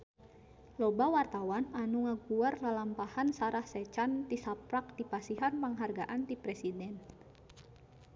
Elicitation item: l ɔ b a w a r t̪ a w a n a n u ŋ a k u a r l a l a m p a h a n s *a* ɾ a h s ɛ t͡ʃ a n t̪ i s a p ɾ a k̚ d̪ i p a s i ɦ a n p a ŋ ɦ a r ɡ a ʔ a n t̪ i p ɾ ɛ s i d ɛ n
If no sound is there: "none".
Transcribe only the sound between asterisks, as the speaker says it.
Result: a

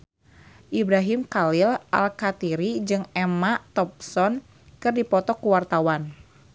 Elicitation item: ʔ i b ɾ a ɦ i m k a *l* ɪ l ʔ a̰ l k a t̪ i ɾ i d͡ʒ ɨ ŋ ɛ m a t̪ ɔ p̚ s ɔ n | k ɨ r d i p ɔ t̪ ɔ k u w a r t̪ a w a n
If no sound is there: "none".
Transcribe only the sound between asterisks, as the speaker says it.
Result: l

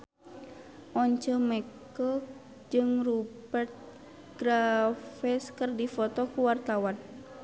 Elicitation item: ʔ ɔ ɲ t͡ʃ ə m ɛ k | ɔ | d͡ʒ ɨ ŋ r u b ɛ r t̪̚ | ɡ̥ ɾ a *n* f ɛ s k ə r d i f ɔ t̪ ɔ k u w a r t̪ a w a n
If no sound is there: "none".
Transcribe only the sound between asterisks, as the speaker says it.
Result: none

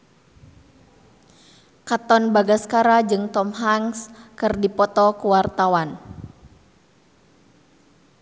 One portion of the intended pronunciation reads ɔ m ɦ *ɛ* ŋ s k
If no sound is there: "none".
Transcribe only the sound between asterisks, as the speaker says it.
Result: a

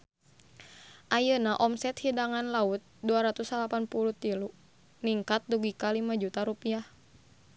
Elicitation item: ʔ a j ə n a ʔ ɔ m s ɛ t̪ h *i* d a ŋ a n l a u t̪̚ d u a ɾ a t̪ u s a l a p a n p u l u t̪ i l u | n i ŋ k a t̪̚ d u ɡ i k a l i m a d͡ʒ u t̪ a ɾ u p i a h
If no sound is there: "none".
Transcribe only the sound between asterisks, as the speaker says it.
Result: i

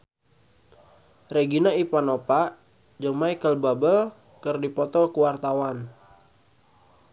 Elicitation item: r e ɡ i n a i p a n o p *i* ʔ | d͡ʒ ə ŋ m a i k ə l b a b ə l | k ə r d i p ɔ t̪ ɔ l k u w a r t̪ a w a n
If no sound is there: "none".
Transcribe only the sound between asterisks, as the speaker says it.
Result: a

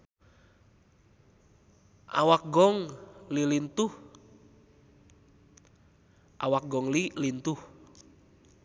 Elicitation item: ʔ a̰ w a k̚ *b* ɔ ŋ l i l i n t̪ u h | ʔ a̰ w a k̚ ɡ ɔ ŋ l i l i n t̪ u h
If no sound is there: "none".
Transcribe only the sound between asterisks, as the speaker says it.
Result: ɡ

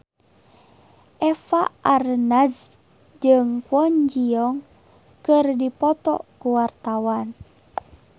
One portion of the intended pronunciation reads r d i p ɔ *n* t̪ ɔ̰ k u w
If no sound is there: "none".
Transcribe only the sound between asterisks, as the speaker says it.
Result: none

